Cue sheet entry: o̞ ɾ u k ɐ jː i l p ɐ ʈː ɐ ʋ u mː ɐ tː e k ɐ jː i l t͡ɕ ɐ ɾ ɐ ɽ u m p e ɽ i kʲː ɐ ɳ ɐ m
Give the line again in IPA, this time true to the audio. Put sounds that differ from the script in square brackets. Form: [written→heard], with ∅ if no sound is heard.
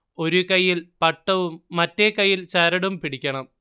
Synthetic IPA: o̞ ɾ u k ɐ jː i l p ɐ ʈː ɐ ʋ u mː ɐ tː e k ɐ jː i l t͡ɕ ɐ ɾ ɐ ɽ u m p [e→i] ɽ i kʲː ɐ ɳ ɐ m